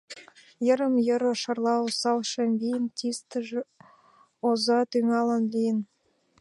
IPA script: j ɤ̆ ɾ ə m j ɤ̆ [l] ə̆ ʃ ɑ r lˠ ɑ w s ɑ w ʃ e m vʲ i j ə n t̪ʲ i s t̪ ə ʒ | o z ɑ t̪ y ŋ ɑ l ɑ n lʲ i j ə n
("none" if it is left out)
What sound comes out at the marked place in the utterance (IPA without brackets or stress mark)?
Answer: ɾ